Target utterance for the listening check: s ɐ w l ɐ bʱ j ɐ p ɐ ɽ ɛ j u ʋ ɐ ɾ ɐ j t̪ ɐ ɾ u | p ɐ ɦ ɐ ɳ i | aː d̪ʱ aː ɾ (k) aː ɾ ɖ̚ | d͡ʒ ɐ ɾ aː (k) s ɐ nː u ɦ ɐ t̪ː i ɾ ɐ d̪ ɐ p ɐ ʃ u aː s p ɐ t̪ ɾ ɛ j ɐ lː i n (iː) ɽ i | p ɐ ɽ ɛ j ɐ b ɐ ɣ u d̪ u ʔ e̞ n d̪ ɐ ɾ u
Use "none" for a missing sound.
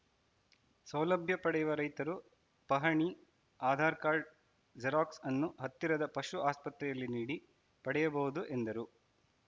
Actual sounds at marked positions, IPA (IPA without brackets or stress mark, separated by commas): k, k, iː